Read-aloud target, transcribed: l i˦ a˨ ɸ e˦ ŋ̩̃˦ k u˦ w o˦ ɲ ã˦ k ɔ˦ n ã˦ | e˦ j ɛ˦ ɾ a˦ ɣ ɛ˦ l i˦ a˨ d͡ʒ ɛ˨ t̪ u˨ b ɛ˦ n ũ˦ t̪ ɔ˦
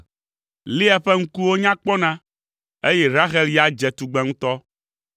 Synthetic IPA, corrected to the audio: l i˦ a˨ ɸ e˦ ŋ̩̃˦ k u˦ w o˦ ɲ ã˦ k͡p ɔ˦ n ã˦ | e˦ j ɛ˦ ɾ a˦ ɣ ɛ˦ l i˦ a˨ d͡ʒ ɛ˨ t̪ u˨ ɡ͡b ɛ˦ ŋ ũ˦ t̪ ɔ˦